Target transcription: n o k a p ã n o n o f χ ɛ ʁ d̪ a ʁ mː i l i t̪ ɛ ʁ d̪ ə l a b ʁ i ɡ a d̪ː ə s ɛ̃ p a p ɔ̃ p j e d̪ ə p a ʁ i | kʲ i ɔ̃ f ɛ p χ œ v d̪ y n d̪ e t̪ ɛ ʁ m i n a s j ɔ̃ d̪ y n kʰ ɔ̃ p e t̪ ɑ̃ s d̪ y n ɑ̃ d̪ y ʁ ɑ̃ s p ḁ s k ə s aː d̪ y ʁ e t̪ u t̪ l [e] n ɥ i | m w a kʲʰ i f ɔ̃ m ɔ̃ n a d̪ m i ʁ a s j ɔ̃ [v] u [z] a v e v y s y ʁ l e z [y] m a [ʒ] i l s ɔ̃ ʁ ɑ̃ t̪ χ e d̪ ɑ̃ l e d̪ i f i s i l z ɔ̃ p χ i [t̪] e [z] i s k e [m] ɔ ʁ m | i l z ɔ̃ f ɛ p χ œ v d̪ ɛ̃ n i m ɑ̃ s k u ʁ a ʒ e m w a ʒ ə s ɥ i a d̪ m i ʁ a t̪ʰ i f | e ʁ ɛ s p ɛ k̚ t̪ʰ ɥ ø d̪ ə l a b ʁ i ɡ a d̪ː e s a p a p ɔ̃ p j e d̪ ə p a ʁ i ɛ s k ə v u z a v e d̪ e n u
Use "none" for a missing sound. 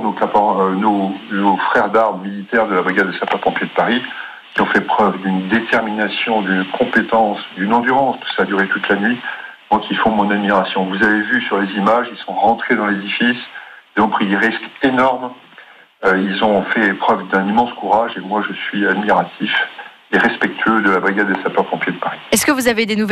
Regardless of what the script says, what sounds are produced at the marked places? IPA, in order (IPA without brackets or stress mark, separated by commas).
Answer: a, v, z, i, ʒ, d̪, ʁ, n